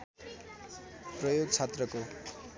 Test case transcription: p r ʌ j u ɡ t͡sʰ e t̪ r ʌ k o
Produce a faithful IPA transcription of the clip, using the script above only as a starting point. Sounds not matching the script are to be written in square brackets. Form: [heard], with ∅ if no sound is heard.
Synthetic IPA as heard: p r ʌ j [o] ɡ t͡sʰ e t̪ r ʌ k o